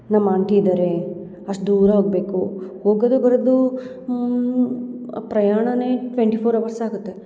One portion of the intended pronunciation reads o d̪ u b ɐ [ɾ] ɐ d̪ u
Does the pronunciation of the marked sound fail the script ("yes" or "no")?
no